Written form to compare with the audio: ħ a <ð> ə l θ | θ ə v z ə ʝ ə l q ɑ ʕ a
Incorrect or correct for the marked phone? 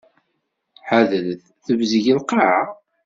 correct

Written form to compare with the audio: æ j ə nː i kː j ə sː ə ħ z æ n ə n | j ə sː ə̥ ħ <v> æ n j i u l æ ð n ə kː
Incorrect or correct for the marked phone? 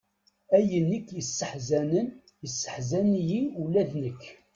incorrect: z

